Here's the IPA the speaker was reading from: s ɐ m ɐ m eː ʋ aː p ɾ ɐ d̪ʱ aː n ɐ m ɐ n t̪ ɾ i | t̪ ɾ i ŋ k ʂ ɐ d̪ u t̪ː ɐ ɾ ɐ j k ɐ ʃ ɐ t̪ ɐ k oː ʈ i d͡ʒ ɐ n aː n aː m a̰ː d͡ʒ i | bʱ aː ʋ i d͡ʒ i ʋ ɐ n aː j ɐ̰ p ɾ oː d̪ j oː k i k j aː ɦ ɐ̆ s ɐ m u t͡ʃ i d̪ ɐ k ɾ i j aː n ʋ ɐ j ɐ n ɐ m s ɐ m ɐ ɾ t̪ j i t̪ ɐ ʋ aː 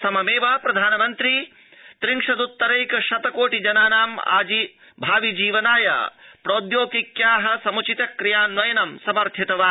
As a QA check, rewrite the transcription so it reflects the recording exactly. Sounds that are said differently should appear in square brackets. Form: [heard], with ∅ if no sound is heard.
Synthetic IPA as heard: s ɐ m ɐ m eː ʋ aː p ɾ ɐ d̪ʱ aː n ɐ m ɐ n t̪ ɾ i | t̪ ɾ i ŋ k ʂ ɐ d̪ u t̪ː ɐ ɾ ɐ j k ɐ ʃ ɐ t̪ ɐ k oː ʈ i d͡ʒ ɐ n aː n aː m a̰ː d͡ʒ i | bʱ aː ʋ i d͡ʒ [iː] ʋ ɐ n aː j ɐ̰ p ɾ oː d̪ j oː k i k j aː ɦ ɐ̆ s ɐ m u t͡ʃ i [t̪] ɐ k ɾ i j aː n ʋ ɐ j ɐ n ɐ m s ɐ m ɐ ɾ [t̪ʰ] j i t̪ ɐ ʋ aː